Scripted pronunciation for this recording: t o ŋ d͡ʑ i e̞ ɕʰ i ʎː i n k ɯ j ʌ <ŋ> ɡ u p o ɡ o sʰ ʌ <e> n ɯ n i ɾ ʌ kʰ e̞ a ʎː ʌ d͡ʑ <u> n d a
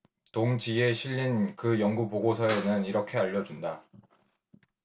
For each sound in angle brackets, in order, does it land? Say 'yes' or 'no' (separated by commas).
yes, yes, yes